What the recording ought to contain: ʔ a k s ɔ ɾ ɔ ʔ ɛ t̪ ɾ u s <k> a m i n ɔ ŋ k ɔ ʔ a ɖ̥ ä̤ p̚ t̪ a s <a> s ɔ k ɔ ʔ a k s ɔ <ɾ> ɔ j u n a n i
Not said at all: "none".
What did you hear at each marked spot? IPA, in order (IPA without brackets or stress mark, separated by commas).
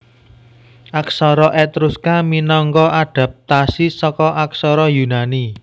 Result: k, i, ɾ